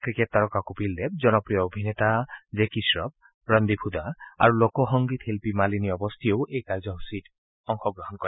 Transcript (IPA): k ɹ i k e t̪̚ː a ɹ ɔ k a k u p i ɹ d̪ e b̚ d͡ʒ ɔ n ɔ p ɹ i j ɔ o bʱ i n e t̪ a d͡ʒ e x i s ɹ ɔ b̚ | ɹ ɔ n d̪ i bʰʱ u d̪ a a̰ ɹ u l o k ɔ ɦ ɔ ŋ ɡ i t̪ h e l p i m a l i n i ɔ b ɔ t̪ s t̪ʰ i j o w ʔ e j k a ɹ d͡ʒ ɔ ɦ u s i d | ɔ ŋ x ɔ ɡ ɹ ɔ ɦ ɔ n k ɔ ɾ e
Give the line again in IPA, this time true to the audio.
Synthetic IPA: k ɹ i k e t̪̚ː a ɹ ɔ k a k u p i l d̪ e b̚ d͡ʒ ɔ n ɔ p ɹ i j ɔ o bʱ i n e t̪ a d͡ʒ e k i s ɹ ɔ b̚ | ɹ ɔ n d̪ i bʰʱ u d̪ a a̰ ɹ u l o k ɔ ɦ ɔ ŋ ɡ i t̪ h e l p i m a l i n i ɔ b ɔ s t̪ʰ i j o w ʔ e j k a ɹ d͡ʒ ɔ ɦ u s i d | ɔ ŋ x ɔ ɡ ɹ ɔ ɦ ɔ n k ɔ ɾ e